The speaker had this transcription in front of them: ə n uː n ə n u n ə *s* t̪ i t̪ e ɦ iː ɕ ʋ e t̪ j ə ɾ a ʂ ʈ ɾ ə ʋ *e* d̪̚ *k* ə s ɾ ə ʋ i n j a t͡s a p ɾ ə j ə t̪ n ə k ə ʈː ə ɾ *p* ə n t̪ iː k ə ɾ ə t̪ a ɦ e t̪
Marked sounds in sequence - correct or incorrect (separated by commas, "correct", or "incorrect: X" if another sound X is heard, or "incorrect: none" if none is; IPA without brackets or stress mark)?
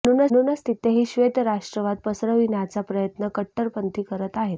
correct, incorrect: a, incorrect: p, correct